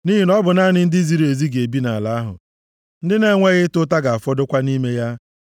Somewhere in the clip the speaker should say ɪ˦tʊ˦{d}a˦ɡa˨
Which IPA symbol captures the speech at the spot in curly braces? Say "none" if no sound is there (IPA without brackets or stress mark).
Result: t